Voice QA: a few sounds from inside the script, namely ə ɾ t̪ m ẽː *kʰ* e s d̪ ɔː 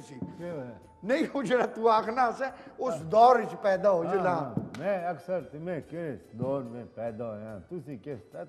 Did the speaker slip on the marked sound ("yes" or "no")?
yes